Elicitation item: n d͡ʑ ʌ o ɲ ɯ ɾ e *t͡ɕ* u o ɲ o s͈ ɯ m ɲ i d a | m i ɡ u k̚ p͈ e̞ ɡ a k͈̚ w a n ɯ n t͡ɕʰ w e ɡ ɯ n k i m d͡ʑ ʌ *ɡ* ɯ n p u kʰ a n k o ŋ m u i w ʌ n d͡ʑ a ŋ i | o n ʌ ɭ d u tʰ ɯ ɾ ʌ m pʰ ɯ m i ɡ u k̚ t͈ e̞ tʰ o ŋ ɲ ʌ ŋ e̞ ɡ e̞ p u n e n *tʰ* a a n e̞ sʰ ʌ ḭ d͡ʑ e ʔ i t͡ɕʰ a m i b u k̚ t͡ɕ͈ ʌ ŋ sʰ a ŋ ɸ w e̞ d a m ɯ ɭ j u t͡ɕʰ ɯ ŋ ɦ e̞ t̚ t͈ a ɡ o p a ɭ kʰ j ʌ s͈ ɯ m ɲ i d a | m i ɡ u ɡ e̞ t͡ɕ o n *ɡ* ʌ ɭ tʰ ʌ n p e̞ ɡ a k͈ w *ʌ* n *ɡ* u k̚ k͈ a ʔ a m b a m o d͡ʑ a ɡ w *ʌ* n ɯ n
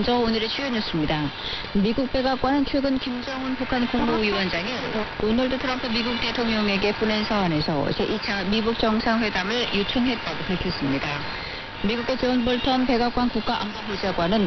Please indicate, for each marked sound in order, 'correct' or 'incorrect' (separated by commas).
incorrect, incorrect, incorrect, incorrect, incorrect, incorrect, incorrect